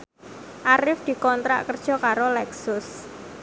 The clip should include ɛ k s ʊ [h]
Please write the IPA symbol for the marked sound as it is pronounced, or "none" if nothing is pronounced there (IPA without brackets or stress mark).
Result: s